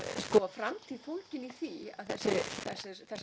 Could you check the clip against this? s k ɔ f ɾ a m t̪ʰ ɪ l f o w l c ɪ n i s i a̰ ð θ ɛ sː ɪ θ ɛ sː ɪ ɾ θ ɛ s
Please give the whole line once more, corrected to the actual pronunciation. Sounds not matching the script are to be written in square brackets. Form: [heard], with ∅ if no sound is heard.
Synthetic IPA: s k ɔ f ɾ a m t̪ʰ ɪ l f o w l c ɪ n i [θ] i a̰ ð θ ɛ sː ɪ θ ɛ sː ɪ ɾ θ ɛ s

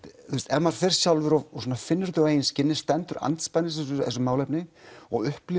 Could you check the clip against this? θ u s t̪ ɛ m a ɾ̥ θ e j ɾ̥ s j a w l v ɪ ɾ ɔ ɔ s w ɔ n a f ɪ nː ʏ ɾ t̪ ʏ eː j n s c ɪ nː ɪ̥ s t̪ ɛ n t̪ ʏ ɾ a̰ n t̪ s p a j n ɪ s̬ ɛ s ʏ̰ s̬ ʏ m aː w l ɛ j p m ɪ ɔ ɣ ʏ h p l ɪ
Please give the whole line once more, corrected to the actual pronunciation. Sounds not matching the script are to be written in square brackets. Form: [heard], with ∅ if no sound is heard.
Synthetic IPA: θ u s t̪ ɛ m a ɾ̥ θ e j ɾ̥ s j a w l v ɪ ɾ ɔ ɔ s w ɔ n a f ɪ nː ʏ ɾ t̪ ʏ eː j n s c ɪ nː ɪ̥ s t̪ ɛ n t̪ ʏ ɾ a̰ n t̪ s p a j n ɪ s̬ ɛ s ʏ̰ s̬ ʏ m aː w l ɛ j p [n] ɪ ɔ ɣ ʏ h p l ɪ

